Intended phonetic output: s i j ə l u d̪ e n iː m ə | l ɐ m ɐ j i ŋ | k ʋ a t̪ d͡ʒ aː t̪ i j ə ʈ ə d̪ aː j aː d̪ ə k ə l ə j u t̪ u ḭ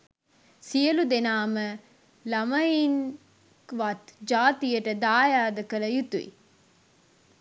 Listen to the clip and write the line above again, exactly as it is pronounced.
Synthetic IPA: s i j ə l u d̪ e n aː m ə | l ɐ m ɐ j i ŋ | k ʋ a t̪ d͡ʒ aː t̪ i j ə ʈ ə d̪ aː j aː d̪ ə k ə l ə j u t̪ u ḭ